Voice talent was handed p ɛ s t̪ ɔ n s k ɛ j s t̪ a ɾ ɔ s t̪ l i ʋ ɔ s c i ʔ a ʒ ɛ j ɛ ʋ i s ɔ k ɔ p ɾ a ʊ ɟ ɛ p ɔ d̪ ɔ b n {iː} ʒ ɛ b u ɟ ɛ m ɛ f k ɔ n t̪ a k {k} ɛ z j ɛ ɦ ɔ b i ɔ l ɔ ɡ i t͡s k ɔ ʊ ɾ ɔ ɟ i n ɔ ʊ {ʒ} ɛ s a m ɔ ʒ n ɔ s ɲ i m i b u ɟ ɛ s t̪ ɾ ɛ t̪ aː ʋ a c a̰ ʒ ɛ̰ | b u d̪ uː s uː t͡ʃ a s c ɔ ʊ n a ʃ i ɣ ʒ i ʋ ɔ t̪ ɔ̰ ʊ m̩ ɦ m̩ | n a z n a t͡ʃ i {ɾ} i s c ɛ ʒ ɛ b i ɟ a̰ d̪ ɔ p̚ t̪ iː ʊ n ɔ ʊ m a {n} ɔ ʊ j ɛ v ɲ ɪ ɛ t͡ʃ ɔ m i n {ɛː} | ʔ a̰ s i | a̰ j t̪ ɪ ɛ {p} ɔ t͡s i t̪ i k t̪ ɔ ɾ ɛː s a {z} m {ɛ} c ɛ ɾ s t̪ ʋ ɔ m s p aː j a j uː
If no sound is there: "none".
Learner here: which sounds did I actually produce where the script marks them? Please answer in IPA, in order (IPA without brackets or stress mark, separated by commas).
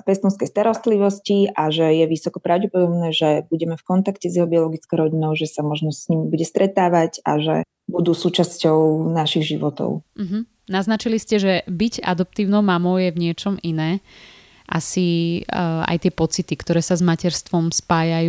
ɛː, c, ʒ, l, m, ɛː, p, z, a